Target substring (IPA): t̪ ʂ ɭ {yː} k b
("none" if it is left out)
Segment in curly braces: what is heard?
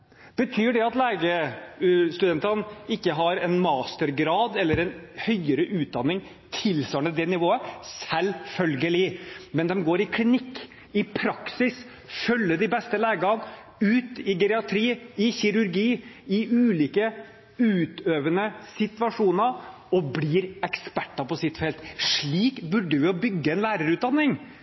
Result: iː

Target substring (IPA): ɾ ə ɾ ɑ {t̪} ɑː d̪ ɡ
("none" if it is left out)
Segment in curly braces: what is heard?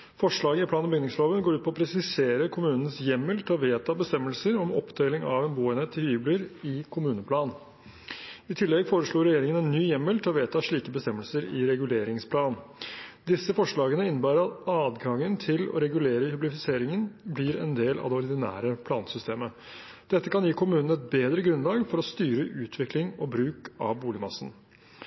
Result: t̪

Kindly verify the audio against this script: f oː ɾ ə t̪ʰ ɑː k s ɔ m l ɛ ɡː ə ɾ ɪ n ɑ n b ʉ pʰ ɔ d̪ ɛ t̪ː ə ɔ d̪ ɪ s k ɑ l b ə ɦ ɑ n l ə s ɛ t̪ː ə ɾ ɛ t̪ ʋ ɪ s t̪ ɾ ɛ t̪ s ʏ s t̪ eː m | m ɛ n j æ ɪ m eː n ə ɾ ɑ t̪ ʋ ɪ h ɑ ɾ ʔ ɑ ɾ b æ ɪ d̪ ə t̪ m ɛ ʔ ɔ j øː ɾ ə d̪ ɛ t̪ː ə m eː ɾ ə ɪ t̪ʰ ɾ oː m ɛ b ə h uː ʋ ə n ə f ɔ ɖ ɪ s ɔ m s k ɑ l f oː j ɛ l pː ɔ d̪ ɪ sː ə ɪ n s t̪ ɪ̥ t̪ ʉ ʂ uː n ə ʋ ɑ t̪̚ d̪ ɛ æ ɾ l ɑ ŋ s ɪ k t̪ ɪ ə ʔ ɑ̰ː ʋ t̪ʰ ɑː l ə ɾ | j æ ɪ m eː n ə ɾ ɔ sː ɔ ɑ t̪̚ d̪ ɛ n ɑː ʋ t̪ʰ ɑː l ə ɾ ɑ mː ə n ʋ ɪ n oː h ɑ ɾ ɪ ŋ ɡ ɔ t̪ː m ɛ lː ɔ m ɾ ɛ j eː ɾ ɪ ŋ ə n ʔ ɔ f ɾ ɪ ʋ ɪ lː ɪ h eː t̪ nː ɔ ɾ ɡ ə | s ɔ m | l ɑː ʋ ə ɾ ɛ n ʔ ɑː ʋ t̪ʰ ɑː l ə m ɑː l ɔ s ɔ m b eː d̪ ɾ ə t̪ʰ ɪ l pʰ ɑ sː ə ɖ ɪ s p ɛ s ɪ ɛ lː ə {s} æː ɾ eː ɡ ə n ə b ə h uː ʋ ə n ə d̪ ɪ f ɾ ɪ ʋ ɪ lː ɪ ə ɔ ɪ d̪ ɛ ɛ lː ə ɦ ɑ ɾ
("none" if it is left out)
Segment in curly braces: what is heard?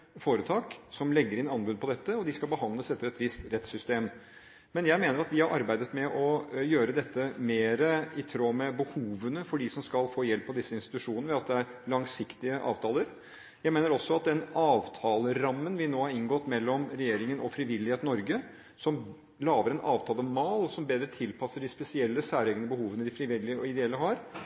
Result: s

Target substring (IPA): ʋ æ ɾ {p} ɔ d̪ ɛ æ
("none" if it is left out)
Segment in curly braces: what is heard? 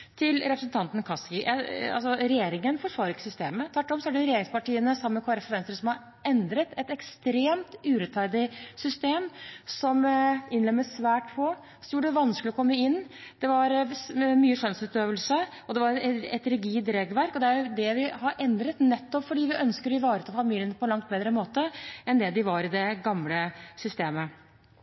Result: k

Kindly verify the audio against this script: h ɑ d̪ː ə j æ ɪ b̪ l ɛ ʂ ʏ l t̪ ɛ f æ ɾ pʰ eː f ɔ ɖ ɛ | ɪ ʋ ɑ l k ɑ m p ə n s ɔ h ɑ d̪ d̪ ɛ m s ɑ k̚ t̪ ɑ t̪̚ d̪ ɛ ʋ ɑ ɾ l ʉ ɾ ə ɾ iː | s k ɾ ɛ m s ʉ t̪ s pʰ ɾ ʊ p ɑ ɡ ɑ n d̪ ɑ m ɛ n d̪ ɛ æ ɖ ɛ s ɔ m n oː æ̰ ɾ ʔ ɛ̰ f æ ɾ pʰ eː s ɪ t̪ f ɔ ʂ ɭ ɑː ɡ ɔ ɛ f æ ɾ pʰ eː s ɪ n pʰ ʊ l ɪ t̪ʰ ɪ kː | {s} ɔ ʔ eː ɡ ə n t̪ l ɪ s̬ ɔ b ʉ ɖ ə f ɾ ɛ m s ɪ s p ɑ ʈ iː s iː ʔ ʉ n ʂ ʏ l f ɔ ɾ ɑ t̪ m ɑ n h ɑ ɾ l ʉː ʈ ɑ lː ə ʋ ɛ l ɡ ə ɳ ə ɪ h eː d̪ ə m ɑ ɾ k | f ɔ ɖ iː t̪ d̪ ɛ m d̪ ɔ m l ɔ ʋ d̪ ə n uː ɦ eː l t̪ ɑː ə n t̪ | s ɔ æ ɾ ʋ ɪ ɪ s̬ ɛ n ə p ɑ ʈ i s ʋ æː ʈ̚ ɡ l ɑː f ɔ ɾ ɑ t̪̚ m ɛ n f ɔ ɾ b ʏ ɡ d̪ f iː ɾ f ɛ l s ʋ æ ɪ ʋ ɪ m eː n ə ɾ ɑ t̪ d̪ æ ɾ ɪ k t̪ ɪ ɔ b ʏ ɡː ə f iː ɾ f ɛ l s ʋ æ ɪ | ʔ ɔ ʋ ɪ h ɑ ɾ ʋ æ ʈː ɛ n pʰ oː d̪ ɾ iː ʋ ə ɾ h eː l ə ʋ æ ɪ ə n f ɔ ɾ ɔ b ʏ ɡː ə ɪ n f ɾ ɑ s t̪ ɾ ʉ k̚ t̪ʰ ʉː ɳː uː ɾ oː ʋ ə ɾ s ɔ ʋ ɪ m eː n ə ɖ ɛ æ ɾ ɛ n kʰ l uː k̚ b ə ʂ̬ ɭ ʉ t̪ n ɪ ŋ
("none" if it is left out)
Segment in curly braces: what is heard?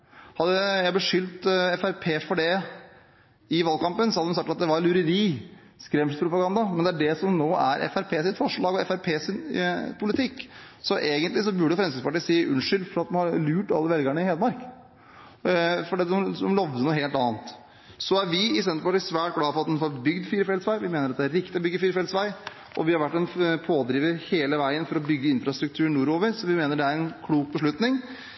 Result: s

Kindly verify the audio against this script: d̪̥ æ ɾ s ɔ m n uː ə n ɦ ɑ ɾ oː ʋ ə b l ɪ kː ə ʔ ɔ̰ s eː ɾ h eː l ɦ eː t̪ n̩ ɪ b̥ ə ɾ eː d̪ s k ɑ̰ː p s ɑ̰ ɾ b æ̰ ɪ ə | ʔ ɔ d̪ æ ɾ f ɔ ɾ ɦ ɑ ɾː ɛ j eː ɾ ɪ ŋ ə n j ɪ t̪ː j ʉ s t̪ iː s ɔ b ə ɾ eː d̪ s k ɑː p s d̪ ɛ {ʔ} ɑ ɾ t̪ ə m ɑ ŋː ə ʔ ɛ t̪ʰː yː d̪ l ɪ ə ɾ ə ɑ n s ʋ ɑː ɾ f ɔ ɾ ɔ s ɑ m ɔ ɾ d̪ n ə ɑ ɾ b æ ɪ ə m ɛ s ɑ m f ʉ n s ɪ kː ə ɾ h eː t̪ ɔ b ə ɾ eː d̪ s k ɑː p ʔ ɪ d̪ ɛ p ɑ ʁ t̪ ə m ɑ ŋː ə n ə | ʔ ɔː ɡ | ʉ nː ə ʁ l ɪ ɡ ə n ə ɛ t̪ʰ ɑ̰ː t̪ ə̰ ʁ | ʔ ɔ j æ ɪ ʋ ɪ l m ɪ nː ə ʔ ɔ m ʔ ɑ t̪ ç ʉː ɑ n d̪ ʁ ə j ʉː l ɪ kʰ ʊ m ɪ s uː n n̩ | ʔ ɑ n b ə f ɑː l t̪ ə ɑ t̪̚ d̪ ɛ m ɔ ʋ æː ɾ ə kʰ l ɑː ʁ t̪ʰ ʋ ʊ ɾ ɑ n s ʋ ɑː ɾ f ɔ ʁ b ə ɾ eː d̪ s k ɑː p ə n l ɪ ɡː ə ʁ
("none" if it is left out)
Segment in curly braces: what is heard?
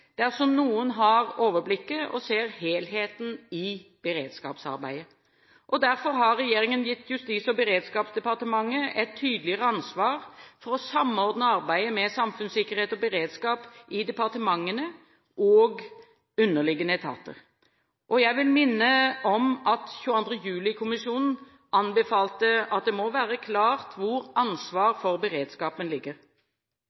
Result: p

